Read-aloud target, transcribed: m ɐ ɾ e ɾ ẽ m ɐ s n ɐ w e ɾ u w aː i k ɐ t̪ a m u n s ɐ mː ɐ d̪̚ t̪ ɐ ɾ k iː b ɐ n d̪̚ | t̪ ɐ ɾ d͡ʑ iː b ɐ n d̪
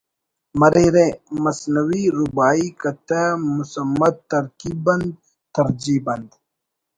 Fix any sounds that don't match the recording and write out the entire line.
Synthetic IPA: m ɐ ɾ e ɾ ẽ m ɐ s n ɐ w i ɾ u b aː i k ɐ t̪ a m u s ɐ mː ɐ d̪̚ t̪ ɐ ɾ k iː b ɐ n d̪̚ | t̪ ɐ ɾ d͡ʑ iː b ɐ n d̪